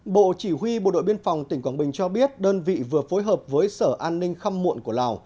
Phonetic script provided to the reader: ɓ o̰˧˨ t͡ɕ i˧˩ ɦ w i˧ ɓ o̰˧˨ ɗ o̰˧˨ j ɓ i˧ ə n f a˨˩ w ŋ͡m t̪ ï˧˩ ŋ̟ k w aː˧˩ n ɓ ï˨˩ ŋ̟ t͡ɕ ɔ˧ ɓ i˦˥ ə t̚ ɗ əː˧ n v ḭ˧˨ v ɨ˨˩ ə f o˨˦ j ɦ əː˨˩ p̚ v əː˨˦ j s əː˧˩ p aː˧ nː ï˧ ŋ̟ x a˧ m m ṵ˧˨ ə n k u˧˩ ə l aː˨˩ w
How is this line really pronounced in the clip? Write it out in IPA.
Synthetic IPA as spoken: ɓ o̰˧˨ t͡ɕ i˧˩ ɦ w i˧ ɓ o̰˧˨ ɗ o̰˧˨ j ɓ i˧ ə n f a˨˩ w ŋ͡m t̪ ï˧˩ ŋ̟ k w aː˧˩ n ɓ ï˨˩ ŋ̟ t͡ɕ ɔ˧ ɓ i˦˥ ə t̚ ɗ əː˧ n v ḭ˧˨ v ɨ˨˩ ə f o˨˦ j ɦ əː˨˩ p̚ v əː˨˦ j s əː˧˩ ʔ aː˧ nː ï˧ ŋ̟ x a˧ m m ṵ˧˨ ə n k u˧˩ ə l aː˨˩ w

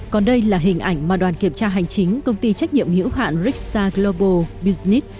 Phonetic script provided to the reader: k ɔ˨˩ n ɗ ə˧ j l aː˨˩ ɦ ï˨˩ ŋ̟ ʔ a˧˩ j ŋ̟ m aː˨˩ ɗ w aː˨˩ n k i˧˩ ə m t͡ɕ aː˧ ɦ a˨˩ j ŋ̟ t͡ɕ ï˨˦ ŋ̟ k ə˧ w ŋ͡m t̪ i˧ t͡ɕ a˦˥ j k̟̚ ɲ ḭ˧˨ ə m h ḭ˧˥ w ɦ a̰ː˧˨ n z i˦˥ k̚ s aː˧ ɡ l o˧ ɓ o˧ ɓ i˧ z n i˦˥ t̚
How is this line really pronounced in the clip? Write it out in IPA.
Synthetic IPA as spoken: k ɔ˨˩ n ɗ ə˧ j l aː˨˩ ɦ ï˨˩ ŋ̟ ʔ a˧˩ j ŋ̟ m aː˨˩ ɗ w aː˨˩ n k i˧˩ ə m t͡ɕ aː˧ ɦ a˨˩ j ŋ̟ t͡ɕ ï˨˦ ŋ̟ k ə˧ w ŋ͡m t̪ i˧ t͡ɕ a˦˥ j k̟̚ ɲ ḭ˧˨ ə m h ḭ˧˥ w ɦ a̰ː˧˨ n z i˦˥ k̚ s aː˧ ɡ l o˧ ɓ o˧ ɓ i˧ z n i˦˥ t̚

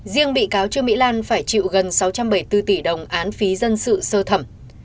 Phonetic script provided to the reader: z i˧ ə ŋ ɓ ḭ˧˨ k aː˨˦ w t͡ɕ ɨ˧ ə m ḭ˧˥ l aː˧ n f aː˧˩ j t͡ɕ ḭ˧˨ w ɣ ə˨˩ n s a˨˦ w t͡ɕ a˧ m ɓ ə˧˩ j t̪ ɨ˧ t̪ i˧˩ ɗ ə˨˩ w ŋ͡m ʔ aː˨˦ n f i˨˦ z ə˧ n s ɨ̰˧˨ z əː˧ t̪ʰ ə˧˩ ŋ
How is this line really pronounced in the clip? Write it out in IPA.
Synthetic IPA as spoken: z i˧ ə ŋ ɓ ḭ˧˨ k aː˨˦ w t͡ɕ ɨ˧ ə m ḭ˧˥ l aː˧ n f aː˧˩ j t͡ɕ ḭ˧˨ w ɣ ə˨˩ n s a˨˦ w t͡ɕ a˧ m ɓ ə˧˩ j t̪ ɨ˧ t̪ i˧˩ ɗ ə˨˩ w ŋ͡m ʔ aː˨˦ n f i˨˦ z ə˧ n s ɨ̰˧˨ s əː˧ t̪ʰ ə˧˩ m

